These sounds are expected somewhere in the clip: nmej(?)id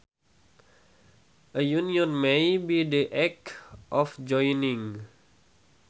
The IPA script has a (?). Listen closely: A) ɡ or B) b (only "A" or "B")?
B